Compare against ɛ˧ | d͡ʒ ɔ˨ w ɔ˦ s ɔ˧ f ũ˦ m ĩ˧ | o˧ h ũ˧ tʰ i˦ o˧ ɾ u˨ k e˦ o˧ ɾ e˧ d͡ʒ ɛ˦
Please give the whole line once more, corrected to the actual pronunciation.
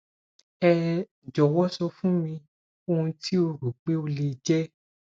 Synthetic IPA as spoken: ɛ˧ | d͡ʒ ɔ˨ w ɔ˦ s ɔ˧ f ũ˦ m ĩ˧ | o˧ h ũ˧ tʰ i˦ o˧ ɾ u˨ k͡p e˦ o˧ l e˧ d͡ʒ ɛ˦

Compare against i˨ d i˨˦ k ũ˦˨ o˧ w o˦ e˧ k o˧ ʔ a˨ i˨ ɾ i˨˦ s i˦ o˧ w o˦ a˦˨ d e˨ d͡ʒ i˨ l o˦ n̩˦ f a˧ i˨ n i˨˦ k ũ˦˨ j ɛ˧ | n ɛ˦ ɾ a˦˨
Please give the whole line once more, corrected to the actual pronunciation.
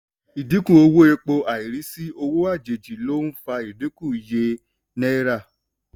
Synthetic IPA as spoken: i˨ d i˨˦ k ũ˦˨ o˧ w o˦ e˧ k͡p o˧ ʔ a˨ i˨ ɾ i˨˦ s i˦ o˧ w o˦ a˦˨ d͡ʒ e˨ d͡ʒ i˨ l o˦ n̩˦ f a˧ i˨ d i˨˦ k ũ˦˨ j e˧ | n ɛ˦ ɾ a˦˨

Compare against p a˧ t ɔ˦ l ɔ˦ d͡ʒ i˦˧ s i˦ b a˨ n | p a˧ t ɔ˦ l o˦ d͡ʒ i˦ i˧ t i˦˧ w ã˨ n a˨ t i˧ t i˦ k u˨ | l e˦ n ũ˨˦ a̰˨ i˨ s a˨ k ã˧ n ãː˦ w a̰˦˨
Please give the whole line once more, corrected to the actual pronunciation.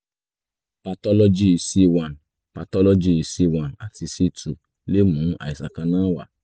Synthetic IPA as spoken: p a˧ t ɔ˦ l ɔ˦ d͡ʒ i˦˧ s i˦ w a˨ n | p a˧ t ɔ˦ l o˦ d͡ʒ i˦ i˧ s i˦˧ w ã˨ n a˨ t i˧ s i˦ t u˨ | l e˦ m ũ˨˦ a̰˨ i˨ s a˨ k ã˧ n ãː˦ w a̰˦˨

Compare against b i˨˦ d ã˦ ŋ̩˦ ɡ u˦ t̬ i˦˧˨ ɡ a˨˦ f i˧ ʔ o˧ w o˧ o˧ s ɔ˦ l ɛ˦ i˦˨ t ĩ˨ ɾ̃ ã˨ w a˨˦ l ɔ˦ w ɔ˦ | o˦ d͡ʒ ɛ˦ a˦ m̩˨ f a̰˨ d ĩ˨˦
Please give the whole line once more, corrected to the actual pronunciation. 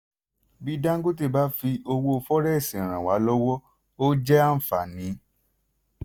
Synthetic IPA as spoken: b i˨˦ d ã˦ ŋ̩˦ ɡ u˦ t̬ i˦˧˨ b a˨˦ f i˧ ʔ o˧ w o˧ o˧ f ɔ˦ ɾ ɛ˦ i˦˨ s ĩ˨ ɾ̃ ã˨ w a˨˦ l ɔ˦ w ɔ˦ | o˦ d͡ʒ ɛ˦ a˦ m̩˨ f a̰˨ n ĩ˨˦

